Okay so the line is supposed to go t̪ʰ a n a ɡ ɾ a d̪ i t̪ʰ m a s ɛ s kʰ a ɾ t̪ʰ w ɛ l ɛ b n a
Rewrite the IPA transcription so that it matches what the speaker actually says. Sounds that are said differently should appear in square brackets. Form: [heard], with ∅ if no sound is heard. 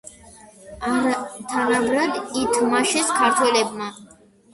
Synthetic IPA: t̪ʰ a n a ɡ ɾ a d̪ i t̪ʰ m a [ʃ] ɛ s kʰ a ɾ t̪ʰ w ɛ l ɛ b [m] a